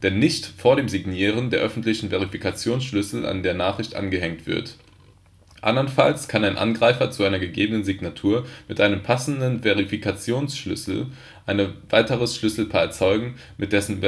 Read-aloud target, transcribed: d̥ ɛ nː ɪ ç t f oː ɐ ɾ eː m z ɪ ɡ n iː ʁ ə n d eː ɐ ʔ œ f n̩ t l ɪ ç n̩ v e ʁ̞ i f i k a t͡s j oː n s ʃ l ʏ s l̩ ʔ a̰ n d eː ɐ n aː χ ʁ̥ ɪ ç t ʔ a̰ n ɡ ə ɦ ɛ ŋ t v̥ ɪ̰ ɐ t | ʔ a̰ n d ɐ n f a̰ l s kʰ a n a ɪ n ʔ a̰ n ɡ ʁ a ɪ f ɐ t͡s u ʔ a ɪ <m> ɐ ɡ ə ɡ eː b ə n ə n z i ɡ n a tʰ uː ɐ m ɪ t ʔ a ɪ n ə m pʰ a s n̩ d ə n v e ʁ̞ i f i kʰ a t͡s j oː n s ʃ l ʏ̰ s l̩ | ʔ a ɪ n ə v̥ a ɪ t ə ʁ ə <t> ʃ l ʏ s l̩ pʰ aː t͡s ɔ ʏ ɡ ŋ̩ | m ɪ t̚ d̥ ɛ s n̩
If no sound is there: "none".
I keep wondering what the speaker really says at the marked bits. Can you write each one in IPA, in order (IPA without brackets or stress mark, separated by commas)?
n, s